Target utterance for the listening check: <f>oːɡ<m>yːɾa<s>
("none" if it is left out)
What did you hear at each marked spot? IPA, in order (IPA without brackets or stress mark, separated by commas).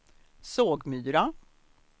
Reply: s, m, none